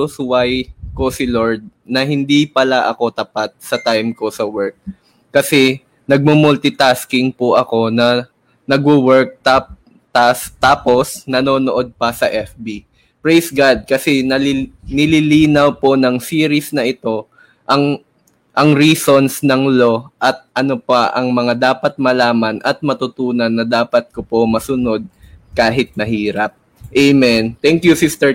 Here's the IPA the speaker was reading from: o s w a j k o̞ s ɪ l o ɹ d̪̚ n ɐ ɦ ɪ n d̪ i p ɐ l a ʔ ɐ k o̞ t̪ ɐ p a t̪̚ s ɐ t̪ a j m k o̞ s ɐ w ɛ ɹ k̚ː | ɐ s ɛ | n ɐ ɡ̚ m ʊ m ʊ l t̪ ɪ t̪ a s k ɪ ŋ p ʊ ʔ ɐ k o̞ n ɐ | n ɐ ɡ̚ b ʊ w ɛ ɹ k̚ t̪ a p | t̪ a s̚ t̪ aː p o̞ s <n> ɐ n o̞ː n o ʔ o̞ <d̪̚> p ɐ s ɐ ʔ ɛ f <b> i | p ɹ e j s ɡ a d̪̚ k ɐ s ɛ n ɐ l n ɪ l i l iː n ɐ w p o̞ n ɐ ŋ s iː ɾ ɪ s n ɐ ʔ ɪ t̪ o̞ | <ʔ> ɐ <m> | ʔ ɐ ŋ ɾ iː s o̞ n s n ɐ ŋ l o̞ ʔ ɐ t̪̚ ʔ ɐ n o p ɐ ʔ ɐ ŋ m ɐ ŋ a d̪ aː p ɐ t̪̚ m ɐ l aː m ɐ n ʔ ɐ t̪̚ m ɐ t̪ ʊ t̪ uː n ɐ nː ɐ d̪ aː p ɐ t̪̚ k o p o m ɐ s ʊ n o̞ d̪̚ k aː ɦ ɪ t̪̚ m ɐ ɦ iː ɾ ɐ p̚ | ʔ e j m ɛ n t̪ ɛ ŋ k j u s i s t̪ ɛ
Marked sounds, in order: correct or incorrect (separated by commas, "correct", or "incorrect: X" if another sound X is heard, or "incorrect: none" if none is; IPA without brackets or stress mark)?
correct, correct, correct, correct, incorrect: ŋ